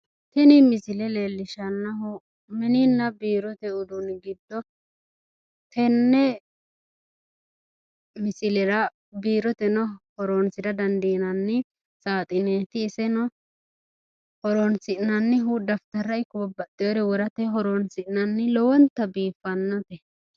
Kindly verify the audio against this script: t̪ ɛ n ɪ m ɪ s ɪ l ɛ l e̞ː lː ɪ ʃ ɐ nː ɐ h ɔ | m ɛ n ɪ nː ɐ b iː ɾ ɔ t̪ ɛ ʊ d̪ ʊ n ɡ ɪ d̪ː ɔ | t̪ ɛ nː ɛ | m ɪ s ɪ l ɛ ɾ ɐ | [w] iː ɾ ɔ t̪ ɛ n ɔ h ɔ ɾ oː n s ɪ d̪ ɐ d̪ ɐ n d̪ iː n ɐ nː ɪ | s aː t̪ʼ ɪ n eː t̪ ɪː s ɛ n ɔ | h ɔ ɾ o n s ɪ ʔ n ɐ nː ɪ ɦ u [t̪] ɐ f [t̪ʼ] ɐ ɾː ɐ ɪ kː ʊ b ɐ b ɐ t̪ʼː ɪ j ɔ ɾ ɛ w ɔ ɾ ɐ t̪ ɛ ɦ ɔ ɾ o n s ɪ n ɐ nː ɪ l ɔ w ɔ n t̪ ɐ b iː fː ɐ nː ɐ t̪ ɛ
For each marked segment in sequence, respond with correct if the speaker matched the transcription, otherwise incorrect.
incorrect: b, incorrect: d̪, incorrect: t̪

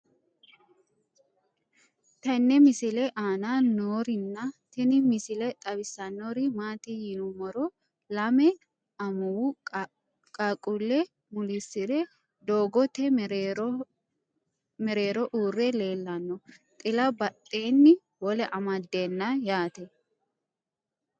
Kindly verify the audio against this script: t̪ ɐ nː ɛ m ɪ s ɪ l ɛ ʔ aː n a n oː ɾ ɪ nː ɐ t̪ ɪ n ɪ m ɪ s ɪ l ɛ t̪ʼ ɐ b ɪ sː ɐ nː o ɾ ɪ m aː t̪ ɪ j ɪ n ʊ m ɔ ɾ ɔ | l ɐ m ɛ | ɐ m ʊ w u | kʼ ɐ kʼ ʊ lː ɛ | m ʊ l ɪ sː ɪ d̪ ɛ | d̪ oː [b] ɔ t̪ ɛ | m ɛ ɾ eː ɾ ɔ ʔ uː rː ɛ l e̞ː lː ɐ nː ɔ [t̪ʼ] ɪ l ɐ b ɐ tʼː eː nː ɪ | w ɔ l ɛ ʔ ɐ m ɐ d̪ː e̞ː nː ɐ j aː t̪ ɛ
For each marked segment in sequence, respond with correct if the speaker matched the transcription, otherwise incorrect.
incorrect: ɡ, correct

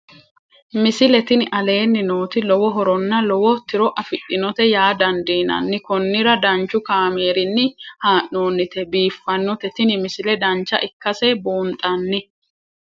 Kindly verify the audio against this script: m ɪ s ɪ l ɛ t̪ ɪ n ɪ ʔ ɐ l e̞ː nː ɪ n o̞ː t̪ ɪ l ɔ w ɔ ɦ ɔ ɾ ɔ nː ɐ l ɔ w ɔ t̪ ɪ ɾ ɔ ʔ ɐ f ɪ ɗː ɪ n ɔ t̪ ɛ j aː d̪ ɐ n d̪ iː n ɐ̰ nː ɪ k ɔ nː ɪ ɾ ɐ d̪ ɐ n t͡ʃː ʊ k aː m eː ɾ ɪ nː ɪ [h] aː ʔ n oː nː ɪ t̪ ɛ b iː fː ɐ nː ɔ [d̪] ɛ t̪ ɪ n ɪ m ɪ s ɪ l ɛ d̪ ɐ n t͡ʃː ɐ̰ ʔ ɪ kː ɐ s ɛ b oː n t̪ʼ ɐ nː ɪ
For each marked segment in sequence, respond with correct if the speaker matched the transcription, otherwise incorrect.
correct, incorrect: t̪

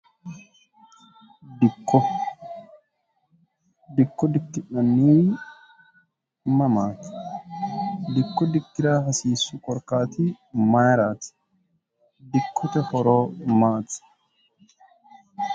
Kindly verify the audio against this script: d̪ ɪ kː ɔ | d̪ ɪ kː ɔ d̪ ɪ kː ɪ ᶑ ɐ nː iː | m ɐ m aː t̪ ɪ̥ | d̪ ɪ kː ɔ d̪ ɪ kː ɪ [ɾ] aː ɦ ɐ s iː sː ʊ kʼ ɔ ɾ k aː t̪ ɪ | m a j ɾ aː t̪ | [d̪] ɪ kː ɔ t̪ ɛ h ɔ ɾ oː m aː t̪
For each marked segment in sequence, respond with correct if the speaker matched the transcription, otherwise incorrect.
correct, correct

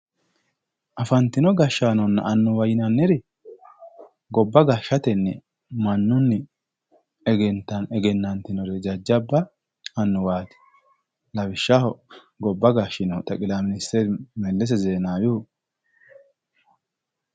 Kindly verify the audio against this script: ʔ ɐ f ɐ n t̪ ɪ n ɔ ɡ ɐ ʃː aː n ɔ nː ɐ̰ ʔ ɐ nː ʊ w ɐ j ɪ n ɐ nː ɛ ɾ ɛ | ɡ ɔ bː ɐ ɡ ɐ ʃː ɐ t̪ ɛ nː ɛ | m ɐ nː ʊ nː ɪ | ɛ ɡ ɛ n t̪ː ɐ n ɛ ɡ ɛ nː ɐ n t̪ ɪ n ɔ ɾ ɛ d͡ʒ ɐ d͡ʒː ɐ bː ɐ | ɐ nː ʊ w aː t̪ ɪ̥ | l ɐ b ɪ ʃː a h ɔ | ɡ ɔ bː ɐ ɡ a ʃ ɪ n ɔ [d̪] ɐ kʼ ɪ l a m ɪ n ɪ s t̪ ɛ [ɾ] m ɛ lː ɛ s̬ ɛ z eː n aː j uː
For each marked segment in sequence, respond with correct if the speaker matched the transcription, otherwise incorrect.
incorrect: t̪, correct

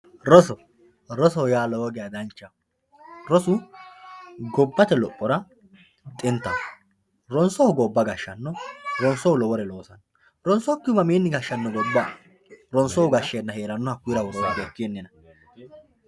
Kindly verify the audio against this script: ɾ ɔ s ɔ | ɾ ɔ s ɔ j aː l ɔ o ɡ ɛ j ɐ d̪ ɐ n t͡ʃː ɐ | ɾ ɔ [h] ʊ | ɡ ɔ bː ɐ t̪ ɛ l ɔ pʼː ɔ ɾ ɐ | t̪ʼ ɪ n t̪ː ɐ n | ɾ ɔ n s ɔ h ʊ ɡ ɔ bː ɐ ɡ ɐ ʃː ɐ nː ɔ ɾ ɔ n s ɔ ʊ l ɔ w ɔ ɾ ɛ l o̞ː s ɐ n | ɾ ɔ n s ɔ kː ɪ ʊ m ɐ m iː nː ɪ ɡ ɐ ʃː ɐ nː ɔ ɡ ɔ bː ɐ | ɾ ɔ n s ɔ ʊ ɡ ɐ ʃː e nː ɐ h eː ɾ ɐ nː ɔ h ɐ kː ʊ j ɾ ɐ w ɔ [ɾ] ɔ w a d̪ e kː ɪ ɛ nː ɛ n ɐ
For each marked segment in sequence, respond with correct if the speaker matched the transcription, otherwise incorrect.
incorrect: s, correct

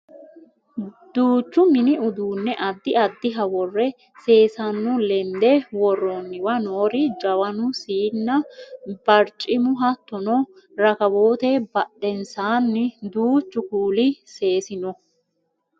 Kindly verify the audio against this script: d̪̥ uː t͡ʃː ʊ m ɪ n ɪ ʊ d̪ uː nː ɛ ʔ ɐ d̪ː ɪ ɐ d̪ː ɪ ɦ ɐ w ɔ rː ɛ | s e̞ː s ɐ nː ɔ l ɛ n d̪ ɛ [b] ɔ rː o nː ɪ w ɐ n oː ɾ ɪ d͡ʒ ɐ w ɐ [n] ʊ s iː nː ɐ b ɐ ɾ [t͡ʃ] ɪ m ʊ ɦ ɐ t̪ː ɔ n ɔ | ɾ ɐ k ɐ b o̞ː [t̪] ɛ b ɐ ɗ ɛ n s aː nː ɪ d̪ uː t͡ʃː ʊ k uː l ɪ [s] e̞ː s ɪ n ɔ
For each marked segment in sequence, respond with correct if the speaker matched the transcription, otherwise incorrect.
incorrect: w, correct, incorrect: t͡ʃʼ, correct, correct

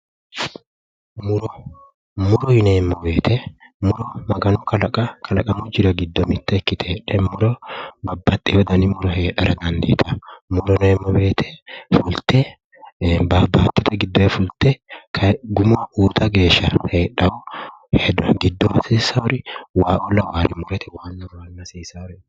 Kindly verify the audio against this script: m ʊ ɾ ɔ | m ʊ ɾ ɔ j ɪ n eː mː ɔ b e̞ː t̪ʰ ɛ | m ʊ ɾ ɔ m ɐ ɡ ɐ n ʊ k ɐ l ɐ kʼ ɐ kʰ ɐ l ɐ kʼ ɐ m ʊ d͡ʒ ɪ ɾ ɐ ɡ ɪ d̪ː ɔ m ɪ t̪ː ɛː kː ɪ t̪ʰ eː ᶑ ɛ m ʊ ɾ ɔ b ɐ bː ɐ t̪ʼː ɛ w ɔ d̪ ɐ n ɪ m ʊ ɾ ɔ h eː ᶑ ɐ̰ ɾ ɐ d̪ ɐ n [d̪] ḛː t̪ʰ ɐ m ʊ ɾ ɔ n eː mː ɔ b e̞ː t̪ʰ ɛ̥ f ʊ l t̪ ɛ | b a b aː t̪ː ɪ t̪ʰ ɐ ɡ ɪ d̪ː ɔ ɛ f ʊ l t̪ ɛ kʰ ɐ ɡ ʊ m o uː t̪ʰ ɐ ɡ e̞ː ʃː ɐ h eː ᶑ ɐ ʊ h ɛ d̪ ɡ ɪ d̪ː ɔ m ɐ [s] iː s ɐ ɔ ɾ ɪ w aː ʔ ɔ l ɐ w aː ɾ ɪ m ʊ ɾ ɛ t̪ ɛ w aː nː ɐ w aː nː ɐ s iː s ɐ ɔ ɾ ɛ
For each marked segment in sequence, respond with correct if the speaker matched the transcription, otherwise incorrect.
correct, correct

